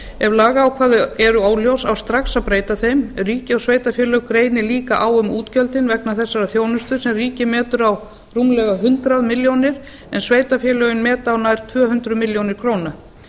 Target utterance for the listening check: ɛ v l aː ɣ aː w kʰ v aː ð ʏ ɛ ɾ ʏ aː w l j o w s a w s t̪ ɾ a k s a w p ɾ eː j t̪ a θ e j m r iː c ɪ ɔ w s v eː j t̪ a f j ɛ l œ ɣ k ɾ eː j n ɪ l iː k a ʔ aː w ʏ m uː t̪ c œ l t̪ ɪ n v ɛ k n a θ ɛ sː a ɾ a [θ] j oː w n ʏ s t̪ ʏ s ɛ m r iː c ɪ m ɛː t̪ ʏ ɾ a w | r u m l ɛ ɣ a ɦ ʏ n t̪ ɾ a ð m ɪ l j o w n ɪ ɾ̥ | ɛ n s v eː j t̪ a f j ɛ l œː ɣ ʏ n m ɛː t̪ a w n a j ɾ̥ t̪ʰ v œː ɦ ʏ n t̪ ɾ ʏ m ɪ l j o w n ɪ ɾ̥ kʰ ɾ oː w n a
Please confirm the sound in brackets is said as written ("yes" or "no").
yes